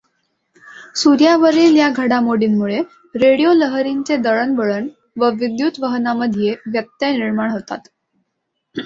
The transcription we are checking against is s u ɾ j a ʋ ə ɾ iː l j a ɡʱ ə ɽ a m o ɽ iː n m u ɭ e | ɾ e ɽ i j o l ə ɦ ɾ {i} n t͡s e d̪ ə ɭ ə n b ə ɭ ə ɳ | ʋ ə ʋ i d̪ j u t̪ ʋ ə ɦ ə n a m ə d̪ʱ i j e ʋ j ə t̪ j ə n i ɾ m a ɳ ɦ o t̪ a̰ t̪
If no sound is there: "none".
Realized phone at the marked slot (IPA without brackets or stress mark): i